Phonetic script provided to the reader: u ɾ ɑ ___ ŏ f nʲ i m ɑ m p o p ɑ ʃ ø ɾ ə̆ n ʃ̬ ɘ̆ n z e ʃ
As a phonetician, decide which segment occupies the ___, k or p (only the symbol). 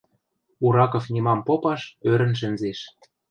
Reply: k